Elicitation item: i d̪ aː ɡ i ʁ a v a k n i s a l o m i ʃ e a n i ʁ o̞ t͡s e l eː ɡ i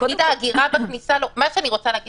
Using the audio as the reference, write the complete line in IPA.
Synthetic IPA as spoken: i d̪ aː ɡ i ʁ a b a k n i s a l o m a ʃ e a n i ʁ o̞ t͡s a l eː ɡ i